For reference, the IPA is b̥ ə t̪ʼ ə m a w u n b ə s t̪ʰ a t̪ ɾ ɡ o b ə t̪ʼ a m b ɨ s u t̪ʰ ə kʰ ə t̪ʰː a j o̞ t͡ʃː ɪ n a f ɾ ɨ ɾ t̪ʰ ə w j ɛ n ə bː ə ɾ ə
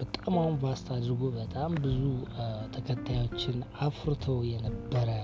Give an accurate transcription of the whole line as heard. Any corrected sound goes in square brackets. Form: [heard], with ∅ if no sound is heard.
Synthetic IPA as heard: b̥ ə t̪ʼ [a] m a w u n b [a] s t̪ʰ a [d̪] ɾ ɡ o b ə t̪ʼ a m b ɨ [z] u t̪ʰ ə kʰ ə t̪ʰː a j o̞ t͡ʃː ɪ n a f ɾ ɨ [∅] t̪ʰ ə w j ɛ n ə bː ə ɾ ə